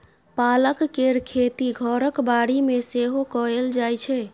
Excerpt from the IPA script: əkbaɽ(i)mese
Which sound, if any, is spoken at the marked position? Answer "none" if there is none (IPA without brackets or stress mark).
i